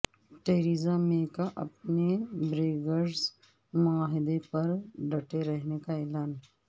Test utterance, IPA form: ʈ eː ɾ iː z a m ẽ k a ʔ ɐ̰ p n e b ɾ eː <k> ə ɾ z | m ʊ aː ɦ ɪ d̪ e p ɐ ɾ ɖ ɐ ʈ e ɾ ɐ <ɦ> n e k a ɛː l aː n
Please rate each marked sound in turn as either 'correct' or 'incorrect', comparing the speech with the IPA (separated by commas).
incorrect, correct